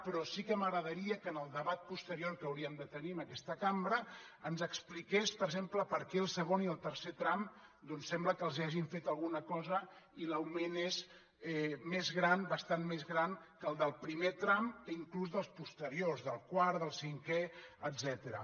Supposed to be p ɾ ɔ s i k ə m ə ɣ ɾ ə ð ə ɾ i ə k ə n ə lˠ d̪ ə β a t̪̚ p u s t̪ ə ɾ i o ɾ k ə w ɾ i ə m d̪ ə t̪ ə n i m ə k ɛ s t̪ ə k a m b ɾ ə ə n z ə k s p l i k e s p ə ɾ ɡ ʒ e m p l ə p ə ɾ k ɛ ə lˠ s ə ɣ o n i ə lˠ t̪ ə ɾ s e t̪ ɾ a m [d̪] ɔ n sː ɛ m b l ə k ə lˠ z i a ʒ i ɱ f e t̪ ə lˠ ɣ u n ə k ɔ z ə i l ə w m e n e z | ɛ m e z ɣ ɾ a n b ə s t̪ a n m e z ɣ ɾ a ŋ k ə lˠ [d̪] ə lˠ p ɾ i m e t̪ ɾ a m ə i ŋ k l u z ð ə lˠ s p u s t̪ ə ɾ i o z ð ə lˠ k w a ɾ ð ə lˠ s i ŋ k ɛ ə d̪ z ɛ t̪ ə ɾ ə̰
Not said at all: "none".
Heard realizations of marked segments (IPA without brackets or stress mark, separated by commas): d̪, d̪